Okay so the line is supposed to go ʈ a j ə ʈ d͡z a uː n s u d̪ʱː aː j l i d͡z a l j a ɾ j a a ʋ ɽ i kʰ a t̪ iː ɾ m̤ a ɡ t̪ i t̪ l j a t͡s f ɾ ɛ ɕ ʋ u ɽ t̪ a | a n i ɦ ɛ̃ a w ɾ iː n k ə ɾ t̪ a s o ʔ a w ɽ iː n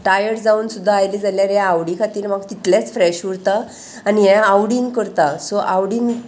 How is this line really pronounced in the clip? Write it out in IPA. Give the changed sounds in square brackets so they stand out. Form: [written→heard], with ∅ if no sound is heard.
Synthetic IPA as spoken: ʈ a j ə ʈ d͡z a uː n s u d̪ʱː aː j l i d͡z a l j a ɾ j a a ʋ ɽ i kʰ a t̪ iː ɾ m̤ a ɡ t̪ i t̪ l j a t͡s f ɾ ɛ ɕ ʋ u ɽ t̪ a | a n i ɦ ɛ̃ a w [ɾ→ɽ] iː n k ə ɾ t̪ a s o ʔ a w ɽ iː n

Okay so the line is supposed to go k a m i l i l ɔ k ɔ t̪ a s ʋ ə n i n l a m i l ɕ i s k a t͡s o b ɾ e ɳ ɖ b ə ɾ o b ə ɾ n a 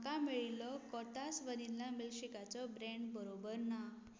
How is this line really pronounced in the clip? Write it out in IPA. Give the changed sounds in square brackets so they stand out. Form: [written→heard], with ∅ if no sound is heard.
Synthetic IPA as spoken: k a m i [l→ɭ] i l ɔ k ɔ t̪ a s ʋ ə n i n l a m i l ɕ i [s→∅] k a t͡s [o→ɔ] b ɾ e ɳ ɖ b ə ɾ o b ə ɾ n a

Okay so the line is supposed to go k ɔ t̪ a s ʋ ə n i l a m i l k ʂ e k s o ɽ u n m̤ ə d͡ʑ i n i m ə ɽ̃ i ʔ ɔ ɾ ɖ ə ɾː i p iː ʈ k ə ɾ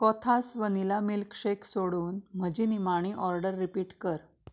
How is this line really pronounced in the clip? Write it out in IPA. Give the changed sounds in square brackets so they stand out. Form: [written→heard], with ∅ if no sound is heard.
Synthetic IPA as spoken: k ɔ [t̪→t̪ʰ] a s ʋ ə n i l a m i l k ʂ e k s o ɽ [u→uː] n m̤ ə d͡ʑ i n i m [ə→a] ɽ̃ i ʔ ɔ ɾ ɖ ə ɾː i p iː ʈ k ə ɾ

